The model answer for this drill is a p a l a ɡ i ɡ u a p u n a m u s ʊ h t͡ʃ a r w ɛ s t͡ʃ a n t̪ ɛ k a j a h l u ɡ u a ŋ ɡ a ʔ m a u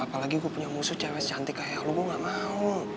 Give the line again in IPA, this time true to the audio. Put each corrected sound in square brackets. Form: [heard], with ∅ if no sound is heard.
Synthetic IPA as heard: a p a l a ɡ i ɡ u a p u [ɲ] a m u s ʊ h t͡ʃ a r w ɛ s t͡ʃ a n t̪ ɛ k a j a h l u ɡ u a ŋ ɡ a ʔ m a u